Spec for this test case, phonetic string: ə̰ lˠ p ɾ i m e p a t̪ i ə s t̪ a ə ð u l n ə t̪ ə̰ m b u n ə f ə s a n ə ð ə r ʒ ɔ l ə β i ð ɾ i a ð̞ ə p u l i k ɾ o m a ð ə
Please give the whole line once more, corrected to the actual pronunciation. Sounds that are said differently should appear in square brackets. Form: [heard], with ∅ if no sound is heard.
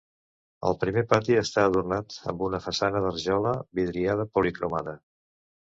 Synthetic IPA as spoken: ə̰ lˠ p ɾ i m e p a t̪ i ə s t̪ a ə ð u [r] n [a] t̪ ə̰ m b u n ə f ə s a n ə ð ə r ʒ ɔ l ə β i ð ɾ i a ð̞ ə p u l i k ɾ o m a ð ə